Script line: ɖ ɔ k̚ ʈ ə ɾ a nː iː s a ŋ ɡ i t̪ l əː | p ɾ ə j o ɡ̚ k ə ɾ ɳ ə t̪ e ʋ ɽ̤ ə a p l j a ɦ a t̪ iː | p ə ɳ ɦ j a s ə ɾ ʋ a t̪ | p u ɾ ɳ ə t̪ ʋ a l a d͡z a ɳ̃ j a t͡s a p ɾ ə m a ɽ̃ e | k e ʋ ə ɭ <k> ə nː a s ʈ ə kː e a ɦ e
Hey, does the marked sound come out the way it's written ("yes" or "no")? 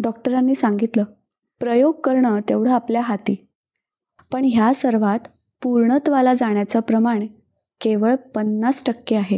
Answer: no